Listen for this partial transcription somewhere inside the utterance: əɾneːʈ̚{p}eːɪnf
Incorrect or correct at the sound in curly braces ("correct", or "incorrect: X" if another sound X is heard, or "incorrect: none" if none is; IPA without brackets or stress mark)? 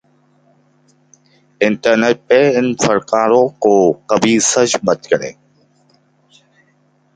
correct